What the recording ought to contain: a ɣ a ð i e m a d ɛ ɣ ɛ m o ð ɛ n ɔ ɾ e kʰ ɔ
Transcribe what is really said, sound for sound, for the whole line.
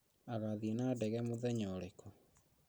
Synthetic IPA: a ɣ a ð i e n a d ɛ ɣ ɛ m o ð ɛ ɲ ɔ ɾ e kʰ ɔ